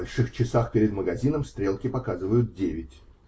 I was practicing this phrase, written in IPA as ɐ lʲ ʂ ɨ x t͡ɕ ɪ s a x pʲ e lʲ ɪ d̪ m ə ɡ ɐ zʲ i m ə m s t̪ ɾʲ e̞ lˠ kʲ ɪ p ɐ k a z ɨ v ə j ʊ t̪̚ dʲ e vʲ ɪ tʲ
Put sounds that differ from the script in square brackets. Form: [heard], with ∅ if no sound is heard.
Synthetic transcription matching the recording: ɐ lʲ ʂ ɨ x t͡ɕ ɪ s a x pʲ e [ɾʲ] ɪ d̪ m ə ɡ ɐ zʲ i [n] ə m s t̪ ɾʲ e̞ lˠ kʲ ɪ p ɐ k a z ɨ v ə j ʊ t̪̚ dʲ e vʲ ɪ tʲ